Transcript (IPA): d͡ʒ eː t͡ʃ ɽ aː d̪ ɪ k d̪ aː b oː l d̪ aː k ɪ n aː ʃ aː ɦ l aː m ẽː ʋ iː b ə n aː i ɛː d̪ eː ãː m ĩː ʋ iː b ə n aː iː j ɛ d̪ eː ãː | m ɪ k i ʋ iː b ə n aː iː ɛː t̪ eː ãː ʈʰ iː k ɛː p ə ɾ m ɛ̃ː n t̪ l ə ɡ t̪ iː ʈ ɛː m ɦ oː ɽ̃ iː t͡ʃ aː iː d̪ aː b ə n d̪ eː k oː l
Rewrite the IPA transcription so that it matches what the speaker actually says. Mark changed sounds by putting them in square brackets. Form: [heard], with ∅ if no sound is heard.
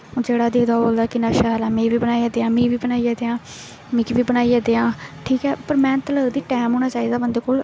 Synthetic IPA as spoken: d͡ʒ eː [∅] ɽ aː d̪ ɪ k d̪ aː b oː l d̪ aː k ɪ n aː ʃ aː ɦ l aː m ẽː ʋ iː b ə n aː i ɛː d̪ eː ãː m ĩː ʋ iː b ə n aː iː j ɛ d̪ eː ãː | m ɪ k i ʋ iː b ə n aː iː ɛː [d̪] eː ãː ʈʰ iː k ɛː p ə ɾ m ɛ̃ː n t̪ l ə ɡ [d̪] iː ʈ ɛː m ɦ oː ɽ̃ [aː] t͡ʃ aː iː d̪ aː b ə n d̪ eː k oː l